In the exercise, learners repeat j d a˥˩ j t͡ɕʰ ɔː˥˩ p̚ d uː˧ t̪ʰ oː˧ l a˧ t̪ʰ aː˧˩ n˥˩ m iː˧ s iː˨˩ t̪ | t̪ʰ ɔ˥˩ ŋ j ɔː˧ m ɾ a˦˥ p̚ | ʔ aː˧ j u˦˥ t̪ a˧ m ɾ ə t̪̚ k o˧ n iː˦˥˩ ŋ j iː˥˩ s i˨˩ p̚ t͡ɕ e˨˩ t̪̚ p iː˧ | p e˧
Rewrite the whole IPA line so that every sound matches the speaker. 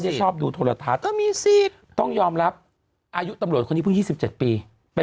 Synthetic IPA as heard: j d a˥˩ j t͡ɕʰ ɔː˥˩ p̚ d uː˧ t̪ʰ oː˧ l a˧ t̪ʰ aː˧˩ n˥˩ m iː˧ s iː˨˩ t̪ | t̪ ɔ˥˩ ŋ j ɔː˧ m ɾ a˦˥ p̚ | ʔ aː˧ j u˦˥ t̪ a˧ m ɾ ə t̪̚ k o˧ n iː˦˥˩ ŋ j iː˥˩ s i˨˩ p̚ t͡ɕ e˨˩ t̪̚ p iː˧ | p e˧